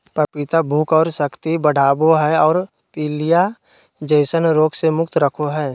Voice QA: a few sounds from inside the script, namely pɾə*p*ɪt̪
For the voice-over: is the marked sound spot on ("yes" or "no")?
yes